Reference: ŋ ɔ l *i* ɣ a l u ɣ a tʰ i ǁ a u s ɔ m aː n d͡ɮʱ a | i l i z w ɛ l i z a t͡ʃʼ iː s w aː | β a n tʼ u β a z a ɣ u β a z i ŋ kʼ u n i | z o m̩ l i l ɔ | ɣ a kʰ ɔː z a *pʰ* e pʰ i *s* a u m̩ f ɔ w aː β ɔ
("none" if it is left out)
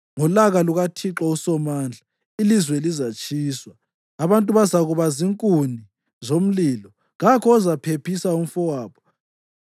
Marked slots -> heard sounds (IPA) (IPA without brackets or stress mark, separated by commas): a, pʰ, s